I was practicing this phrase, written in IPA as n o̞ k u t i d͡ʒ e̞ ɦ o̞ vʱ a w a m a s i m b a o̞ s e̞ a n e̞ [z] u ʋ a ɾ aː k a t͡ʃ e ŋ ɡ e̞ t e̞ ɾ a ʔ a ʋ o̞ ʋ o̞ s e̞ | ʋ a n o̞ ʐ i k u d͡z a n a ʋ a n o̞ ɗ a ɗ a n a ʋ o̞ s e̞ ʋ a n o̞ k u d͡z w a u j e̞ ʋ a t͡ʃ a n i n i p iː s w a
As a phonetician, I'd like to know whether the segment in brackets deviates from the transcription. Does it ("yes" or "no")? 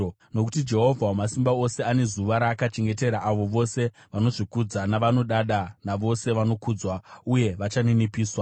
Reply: no